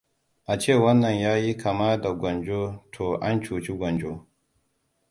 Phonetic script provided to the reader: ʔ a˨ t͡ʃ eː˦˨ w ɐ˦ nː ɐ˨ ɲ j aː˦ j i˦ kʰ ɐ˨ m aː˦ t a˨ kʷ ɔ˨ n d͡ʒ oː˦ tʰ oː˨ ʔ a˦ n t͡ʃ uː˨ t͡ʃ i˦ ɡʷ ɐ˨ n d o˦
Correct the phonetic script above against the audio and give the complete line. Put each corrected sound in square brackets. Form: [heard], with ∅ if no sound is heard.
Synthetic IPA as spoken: ʔ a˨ t͡ʃ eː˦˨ w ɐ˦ nː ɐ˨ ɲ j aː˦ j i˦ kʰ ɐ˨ m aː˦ [d] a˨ [ɡʷ] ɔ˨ n d͡ʒ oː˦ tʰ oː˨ ʔ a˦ n t͡ʃ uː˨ t͡ʃ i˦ ɡʷ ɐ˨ n [d͡ʒ] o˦